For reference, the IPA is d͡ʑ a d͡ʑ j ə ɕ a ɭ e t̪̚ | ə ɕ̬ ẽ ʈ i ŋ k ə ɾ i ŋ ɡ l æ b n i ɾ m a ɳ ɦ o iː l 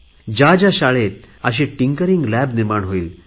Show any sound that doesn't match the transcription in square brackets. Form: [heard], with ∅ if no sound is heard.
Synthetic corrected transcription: d͡ʑ a d͡ʑ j [a] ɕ a ɭ e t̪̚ | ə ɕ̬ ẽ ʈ i ŋ k ə ɾ i ŋ ɡ l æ b n i ɾ m a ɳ ɦ o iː l